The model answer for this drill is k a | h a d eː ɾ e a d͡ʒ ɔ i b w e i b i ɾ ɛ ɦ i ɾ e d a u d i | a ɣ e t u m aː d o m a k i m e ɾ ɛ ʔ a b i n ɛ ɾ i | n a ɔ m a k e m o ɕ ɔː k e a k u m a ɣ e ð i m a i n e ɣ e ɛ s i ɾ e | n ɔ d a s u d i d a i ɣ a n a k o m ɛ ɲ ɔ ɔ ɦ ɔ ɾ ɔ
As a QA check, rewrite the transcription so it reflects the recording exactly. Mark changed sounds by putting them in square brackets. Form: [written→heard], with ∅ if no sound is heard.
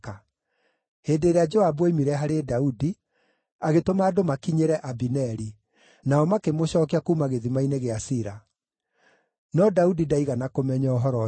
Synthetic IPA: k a | h [a→e] d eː ɾ e a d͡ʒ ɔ [i→a] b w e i [b→m] i ɾ ɛ ɦ [i→a] ɾ e d a u d i | a ɣ e t [u→o] m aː d o m a k i [m→ɲ] e ɾ ɛ ʔ a b i n ɛ ɾ i | n a ɔ m a k e m o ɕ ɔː k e a k u m a ɣ e ð i m a i n e ɣ e [ɛ→a] s i ɾ [e→a] | n ɔ d a [s→∅] u d i d a i ɣ a n a k o m ɛ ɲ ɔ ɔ ɦ ɔ ɾ ɔ